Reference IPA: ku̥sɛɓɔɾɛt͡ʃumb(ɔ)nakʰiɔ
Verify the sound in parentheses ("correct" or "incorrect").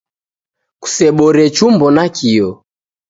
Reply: correct